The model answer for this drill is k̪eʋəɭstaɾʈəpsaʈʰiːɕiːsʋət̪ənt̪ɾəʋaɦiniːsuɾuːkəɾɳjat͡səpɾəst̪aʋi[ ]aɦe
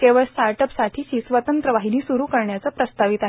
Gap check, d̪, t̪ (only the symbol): t̪